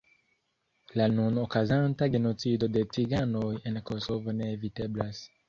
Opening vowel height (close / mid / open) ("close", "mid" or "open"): open